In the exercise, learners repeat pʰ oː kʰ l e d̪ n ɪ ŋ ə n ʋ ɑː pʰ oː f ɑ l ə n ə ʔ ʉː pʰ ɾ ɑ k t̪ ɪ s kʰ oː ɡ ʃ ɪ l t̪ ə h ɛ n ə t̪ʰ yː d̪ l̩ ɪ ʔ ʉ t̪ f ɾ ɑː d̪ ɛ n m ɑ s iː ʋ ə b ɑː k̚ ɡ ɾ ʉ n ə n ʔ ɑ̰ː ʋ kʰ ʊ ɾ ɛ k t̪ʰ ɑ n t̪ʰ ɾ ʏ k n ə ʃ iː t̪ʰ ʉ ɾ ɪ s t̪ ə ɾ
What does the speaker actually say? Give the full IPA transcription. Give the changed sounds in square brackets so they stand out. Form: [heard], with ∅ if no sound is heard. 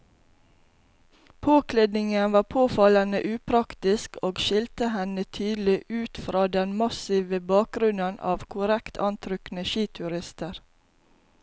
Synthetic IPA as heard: pʰ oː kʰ l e d̪ n ɪ ŋ ə n ʋ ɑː pʰ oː f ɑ l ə n ə ʔ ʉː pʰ ɾ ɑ k t̪ ɪ s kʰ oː ɡ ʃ ɪ l t̪ ə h ɛ n ə t̪ʰ yː d̪ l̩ ɪ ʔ [ʉː] t̪ f ɾ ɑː d̪ ɛ n m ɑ s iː ʋ ə b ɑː k̚ ɡ ɾ ʉ n ə n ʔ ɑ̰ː ʋ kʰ ʊ ɾ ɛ k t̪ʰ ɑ n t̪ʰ ɾ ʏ k n ə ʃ iː t̪ʰ ʉ ɾ ɪ s t̪ ə ɾ